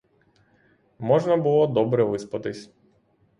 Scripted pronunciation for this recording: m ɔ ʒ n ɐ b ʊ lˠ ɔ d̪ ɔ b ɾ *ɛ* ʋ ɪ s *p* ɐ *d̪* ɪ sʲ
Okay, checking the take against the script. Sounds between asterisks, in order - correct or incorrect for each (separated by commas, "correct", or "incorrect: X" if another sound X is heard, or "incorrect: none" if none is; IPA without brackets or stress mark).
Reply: correct, correct, incorrect: t̪